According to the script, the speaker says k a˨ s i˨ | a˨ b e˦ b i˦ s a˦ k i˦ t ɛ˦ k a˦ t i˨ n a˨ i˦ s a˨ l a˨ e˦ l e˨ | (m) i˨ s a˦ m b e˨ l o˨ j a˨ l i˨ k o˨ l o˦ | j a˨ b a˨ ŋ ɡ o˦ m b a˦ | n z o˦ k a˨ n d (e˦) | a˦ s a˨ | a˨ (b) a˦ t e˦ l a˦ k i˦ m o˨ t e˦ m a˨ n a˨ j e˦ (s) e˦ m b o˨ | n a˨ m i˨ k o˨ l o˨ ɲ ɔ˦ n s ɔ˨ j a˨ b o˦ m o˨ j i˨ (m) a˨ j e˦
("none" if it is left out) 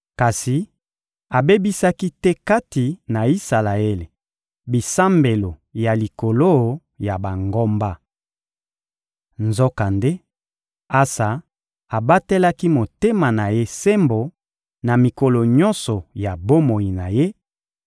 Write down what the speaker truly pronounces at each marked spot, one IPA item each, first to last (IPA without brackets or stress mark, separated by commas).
b, e˦, b, s, n